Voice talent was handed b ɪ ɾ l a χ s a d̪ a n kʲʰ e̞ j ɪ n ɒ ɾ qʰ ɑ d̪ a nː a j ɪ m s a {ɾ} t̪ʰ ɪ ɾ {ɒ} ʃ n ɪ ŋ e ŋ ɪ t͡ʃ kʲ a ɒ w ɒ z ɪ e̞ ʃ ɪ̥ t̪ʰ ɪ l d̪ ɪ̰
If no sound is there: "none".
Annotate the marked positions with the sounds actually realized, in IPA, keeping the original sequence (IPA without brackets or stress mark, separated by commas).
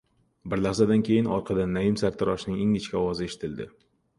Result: ɾ, ɒ